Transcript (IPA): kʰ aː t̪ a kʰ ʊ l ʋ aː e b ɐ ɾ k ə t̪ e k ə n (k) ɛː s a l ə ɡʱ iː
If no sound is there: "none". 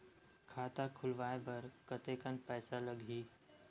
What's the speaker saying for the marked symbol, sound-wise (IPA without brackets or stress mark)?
p